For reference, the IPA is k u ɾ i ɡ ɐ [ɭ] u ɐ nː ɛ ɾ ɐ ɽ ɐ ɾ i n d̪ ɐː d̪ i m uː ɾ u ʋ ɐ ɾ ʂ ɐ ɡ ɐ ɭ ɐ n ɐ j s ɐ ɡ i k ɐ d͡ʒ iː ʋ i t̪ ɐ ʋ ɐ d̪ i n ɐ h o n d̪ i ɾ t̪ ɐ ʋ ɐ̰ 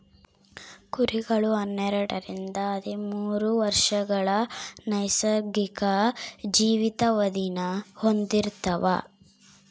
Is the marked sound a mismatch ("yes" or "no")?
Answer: no